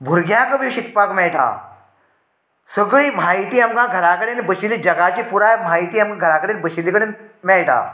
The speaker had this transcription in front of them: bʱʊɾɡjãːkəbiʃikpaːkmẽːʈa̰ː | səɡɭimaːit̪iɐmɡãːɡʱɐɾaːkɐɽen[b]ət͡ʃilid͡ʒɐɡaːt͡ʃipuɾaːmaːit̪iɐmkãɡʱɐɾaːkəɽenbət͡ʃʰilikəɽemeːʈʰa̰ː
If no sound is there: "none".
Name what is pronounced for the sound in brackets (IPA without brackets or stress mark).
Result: b